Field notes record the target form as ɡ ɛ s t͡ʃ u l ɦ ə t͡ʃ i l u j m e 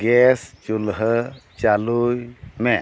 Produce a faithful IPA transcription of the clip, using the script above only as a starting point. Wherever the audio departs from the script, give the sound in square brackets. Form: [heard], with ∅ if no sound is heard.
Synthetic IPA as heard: ɡ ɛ s t͡ʃ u l ɦ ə t͡ʃ [a] l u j m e